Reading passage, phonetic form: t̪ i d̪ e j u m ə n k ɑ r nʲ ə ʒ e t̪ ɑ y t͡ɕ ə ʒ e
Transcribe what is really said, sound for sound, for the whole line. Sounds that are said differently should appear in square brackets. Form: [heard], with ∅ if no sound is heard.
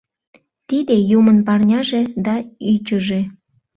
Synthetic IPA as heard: t̪ i d̪ e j u m ə n [p] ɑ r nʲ [ɑ] ʒ e [d̪] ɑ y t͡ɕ ə ʒ e

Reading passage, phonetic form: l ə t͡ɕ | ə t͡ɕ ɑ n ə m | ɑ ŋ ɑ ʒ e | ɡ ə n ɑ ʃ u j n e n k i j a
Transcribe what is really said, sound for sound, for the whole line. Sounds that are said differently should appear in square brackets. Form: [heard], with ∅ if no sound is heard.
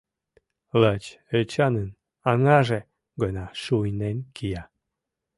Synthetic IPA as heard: l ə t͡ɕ | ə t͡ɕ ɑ n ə [n] | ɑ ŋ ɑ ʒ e | ɡ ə n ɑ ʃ u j n e n k i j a

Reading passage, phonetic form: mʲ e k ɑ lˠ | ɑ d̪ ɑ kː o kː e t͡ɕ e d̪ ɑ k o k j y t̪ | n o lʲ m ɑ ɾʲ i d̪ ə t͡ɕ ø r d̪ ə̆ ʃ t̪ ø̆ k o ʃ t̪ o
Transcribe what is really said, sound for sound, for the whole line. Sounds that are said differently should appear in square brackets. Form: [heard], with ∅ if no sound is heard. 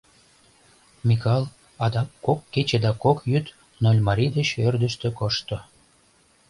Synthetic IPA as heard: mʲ [i] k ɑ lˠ | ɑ d̪ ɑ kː o kː e t͡ɕ e d̪ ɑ k o k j y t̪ | n o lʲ m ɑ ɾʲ i d̪ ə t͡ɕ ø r d̪ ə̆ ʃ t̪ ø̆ k o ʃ t̪ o

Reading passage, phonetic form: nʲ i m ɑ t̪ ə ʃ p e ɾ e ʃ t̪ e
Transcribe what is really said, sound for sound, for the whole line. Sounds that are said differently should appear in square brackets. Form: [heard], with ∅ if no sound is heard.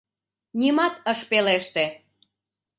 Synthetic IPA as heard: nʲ i m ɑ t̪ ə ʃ p e [l] e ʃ t̪ e

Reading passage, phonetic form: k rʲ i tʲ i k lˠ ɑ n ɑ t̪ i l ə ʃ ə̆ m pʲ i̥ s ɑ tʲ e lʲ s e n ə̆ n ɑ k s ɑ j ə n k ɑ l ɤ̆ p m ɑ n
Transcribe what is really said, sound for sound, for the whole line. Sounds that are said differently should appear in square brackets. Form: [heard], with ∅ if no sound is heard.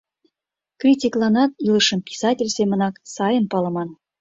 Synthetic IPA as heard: k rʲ i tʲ i k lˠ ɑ n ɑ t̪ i l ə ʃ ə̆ m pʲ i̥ s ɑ tʲ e lʲ s e [m] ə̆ n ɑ k s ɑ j ə n [p] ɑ l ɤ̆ [∅] m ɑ n

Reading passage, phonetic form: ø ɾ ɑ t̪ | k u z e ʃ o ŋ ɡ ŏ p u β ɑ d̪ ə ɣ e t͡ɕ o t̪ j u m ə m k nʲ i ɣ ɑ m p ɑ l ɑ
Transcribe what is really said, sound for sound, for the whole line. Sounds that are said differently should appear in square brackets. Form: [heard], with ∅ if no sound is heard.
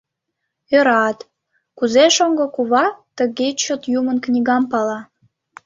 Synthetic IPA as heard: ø ɾ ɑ t̪ | k u z e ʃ o ŋ ɡ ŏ [k] u β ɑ [t̪] ə ɣ e t͡ɕ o t̪ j u m ə [n] k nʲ i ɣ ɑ m p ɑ l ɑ

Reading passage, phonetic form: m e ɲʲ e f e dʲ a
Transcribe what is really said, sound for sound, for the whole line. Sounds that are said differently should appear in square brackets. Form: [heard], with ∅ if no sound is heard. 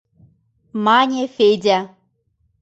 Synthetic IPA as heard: m [a] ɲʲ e f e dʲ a

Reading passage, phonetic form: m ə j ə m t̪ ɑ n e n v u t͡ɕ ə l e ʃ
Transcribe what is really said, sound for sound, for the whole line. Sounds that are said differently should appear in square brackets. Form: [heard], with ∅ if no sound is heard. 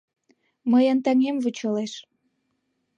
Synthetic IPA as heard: m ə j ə [n] t̪ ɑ [ŋ] e [m] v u t͡ɕ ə l e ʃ

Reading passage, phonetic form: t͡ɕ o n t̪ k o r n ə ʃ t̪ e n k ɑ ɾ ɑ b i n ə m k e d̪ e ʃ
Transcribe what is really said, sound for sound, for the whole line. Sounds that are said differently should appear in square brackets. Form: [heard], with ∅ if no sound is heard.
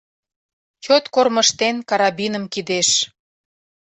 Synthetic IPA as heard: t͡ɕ o [∅] t̪ k o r [m] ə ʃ t̪ e n k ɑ ɾ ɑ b i n ə m k [i] d̪ e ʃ

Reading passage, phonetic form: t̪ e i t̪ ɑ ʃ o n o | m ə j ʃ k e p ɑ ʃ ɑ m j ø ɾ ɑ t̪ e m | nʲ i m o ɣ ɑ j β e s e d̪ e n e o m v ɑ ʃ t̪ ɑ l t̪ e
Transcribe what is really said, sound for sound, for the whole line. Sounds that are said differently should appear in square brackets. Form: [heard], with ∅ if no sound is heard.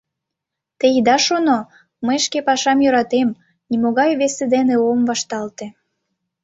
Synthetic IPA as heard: t̪ e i [d̪] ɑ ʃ o n o | m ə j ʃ k e p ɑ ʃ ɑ m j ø ɾ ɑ t̪ e m | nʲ i m o ɣ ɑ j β e s e d̪ e n e o m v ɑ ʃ t̪ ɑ l t̪ e

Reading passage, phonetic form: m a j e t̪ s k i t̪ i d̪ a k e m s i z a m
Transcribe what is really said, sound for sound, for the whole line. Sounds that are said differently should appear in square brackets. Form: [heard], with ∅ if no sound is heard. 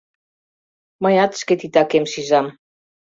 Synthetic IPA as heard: m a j [a] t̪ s k [e] t̪ i [t̪] a k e m s i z a m

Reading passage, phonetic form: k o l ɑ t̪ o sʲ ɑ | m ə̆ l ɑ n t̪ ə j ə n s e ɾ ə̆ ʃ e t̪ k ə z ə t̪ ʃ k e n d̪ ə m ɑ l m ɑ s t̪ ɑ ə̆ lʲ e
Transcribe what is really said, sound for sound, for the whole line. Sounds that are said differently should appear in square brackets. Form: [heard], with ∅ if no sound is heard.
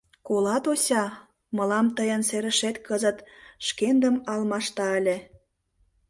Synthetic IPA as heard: k o l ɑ t̪ o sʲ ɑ | m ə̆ l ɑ [m] t̪ ə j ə n s e ɾ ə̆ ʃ e t̪ k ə z ə t̪ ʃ k e n d̪ ə m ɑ l m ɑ [ʃ] t̪ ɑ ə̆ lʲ e

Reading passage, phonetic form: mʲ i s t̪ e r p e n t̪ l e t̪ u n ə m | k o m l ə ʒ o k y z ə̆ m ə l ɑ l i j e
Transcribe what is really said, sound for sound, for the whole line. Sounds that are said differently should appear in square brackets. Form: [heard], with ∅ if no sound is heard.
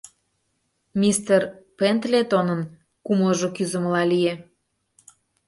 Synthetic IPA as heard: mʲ i s t̪ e r p e n t̪ l e t̪ [o] n ə [n] | k [u] m l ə ʒ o k y z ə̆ m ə l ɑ l i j e

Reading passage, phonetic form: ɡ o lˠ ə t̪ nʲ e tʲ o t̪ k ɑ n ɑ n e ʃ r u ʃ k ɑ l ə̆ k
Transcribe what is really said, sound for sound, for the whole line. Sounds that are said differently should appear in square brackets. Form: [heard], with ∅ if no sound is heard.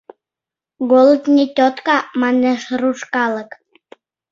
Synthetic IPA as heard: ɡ o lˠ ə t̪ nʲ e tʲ o t̪ k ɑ [m] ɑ n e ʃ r u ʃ k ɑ l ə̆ k

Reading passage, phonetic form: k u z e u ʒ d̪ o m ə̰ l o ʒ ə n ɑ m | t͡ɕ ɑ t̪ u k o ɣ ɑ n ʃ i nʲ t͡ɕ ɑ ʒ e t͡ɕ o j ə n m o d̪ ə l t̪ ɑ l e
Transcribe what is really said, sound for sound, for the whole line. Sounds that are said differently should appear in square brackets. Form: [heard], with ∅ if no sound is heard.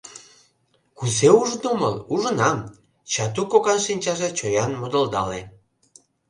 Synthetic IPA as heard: k u z e u ʒ d̪ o m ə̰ l [u] ʒ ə n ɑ m | t͡ɕ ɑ t̪ u k o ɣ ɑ n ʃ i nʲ t͡ɕ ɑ ʒ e t͡ɕ o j [ɑ] n m o d̪ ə l [d̪] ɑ l e

